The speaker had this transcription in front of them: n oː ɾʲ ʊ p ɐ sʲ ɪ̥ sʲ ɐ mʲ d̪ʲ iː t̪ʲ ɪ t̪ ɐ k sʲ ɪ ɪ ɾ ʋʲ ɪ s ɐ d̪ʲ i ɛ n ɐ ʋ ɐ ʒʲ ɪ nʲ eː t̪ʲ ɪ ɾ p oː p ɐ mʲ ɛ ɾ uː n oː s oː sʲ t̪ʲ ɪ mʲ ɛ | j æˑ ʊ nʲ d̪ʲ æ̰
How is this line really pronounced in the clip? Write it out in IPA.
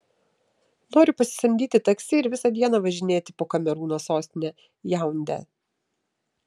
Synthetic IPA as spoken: n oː ɾʲ ʊ p ɐ sʲ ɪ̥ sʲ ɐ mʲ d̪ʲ iː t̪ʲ ɪ t̪ ɐ k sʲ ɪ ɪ ɾ ʋʲ ɪ s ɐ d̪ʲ i ɛ n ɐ ʋ ɐ ʒʲ ɪ nʲ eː t̪ʲ ɪ p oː k ɐ mʲ ɛ ɾ uː n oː s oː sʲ t̪ʲ ɪ nʲ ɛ | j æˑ ʊ nʲ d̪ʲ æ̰